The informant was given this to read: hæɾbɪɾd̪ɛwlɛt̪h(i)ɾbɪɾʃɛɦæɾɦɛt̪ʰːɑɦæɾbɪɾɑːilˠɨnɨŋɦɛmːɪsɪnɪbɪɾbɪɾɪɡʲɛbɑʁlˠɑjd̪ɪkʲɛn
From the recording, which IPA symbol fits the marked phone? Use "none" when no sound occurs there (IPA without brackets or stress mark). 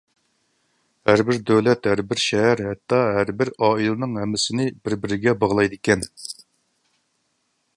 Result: æ